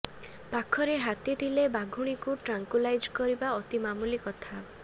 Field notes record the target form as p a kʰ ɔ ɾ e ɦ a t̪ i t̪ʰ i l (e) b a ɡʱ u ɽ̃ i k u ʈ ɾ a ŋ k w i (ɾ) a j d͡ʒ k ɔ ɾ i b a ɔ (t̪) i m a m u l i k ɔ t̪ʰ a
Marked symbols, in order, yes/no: yes, no, yes

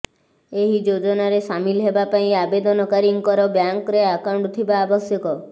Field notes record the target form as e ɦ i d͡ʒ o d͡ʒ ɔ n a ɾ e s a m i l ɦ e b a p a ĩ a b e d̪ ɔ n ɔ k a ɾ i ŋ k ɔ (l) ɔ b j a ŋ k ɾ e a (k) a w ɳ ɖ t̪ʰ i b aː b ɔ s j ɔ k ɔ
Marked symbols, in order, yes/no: no, yes

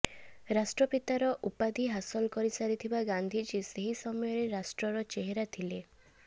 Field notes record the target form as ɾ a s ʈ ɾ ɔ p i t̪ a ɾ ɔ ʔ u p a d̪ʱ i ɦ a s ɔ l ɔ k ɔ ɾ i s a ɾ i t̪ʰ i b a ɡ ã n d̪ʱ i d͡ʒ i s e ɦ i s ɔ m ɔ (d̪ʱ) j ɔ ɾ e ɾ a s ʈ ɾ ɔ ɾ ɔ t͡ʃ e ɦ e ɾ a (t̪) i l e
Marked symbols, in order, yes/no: no, no

